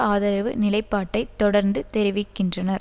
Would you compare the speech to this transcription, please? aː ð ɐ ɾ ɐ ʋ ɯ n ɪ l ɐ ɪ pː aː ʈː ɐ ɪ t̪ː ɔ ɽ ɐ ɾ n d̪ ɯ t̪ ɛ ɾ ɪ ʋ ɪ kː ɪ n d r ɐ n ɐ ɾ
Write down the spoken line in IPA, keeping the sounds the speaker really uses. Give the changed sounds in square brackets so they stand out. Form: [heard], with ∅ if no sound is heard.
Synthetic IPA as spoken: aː ð ɐ ɾ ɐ ʋ ɯ n ɪ l ɐ ɪ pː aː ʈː ɐ ɪ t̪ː ɔ ɽ ɐ ɾ n d̪ ɯ t̪ ɛ ɾ ɪ ʋ ɪ kː ɪ n d r ɐ n ɐ ɾ